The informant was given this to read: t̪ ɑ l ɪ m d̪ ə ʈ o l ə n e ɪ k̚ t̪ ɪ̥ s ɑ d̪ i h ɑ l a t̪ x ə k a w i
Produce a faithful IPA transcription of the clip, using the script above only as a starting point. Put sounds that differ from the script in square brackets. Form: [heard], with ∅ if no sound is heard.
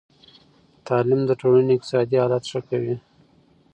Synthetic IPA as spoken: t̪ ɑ l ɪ m d̪ ə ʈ o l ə n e ɪ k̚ t̪ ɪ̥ s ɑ d̪ i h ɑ l a t̪ [ʂ] ə k a w i

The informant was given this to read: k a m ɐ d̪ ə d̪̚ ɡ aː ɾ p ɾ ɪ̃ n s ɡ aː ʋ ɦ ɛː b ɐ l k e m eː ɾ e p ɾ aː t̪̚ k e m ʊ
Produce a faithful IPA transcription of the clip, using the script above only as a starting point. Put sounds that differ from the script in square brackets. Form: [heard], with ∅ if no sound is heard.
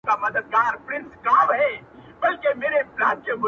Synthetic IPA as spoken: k a m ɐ d̪ ə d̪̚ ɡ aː ɾ p ɾ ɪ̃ n s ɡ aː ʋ ɦ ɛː b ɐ l k e m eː ɾ e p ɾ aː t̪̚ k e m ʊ

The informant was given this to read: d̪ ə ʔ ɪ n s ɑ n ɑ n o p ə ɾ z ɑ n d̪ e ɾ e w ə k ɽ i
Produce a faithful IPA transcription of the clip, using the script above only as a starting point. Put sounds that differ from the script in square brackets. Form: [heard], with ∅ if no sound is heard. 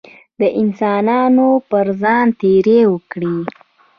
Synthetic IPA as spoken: d̪ ə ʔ ɪ n s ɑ n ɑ n o p ə ɾ z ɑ n [t̪] e ɾ e w ə k ɽ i

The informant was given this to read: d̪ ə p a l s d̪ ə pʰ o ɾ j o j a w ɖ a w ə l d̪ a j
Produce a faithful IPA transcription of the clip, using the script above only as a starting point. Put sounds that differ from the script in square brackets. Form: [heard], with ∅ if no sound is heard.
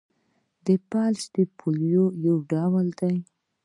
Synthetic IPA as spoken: d̪ ə p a l s d̪ ə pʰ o [l] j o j a w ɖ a w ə l d̪ a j

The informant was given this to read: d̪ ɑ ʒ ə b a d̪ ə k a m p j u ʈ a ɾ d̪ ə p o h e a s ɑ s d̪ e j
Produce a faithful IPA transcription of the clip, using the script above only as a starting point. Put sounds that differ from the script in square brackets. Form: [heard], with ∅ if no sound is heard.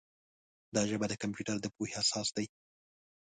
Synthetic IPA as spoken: d̪ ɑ ʒ ə b a d̪ ə k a m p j u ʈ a ɾ d̪ ə p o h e a s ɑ s d̪ [a] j

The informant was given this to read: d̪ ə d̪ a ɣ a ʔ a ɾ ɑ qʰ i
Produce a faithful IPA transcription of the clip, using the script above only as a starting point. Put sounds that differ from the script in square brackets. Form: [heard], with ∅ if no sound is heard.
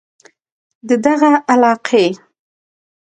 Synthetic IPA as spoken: d̪ ə d̪ a ɣ a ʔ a [l] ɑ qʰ [e]

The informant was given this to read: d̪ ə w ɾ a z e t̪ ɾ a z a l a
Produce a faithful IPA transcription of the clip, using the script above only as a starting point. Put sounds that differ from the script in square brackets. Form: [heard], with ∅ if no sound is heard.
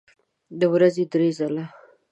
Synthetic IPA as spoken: d̪ ə w ɾ a z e [d̪] ɾ [e] z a l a

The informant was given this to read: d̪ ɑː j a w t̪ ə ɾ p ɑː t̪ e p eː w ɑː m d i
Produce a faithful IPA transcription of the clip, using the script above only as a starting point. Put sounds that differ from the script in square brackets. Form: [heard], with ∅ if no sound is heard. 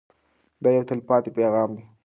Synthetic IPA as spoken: d̪ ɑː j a w t̪ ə [l] p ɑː t̪ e p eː [ɣ] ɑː m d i

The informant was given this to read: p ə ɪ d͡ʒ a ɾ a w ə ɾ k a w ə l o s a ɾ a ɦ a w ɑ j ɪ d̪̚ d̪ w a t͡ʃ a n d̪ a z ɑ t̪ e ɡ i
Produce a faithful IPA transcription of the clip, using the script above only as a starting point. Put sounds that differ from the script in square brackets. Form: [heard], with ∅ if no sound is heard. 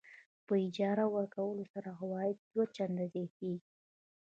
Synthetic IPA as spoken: p ə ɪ d͡ʒ [ɑ] ɾ a w ə ɾ k a w ə l o s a ɾ a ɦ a w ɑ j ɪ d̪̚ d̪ w a t͡ʃ a n d̪ a z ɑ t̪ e ɡ i

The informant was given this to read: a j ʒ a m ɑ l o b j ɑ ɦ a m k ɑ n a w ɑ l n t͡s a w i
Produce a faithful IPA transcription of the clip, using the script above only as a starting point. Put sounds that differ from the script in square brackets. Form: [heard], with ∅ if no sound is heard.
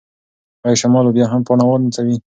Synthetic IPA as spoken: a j [ʃ] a m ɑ l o b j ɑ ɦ a m [p] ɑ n a w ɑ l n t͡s a w i

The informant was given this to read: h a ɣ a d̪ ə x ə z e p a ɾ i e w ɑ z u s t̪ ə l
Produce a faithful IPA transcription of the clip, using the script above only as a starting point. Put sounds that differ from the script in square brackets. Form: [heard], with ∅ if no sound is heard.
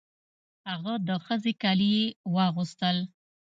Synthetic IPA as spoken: h a ɣ a d̪ ə x ə z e [k] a [l] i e w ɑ [ɣ] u s t̪ ə l

